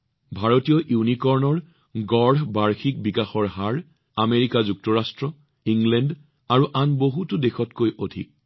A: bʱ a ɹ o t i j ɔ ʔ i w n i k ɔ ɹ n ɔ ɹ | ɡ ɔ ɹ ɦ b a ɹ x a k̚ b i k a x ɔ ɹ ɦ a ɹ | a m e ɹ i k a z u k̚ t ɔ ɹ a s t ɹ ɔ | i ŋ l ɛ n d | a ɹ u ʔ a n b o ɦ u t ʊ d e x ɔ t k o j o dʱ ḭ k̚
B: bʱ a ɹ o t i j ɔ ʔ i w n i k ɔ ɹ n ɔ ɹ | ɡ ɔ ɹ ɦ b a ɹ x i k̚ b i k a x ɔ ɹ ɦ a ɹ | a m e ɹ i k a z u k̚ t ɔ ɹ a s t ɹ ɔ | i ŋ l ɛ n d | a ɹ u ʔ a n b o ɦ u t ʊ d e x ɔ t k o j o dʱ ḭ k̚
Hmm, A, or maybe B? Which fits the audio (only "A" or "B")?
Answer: B